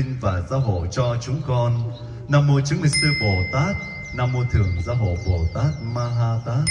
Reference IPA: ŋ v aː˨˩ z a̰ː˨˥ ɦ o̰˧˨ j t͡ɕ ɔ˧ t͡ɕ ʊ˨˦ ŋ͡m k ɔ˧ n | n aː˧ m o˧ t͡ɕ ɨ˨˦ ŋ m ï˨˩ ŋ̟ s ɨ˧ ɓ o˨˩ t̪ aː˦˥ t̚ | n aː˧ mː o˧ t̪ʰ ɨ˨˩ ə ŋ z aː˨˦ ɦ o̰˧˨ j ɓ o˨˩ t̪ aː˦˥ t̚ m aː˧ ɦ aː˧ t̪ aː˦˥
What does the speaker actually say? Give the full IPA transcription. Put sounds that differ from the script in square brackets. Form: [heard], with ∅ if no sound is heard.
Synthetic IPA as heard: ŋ v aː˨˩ z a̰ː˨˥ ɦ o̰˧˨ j t͡ɕ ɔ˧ t͡ɕ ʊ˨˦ ŋ͡m k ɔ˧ n | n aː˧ m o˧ t͡ɕ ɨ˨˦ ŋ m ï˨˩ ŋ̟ s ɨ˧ ɓ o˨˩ t̪ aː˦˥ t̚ | n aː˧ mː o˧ t̪ʰ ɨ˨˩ ə ŋ z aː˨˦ ɦ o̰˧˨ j ɓ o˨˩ t̪ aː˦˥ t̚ m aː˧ ɦ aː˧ t̪ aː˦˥